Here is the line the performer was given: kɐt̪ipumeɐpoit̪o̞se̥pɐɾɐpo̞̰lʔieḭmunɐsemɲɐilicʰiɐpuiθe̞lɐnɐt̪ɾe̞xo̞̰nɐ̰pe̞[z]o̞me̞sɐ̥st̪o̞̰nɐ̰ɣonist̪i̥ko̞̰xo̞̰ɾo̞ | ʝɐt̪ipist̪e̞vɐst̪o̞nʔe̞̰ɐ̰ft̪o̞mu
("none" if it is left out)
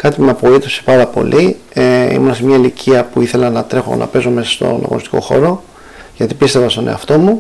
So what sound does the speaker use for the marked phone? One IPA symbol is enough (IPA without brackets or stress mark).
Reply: z